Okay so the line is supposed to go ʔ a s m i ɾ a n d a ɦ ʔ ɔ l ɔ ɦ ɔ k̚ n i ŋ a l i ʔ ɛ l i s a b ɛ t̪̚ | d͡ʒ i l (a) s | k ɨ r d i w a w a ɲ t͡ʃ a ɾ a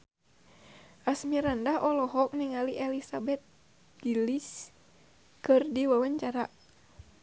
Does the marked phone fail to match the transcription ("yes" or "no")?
yes